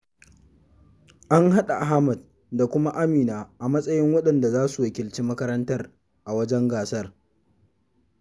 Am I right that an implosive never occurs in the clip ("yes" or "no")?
no